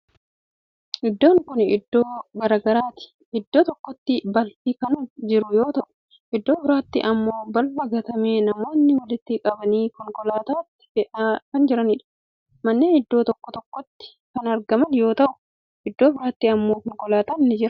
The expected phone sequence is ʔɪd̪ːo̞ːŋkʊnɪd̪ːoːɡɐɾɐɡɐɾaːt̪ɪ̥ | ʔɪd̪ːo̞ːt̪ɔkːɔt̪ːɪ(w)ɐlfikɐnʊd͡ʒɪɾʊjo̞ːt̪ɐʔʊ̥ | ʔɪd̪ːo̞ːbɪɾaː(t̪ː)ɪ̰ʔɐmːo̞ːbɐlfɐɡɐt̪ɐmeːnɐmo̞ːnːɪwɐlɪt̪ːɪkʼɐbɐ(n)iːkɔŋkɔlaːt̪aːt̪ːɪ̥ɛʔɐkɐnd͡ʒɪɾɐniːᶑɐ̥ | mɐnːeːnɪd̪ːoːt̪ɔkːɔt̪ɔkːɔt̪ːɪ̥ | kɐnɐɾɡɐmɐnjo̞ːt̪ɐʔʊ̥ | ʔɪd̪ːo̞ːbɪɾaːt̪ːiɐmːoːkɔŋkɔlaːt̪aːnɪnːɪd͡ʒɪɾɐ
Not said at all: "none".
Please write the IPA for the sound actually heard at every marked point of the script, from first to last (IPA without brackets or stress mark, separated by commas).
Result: b, t̪ː, n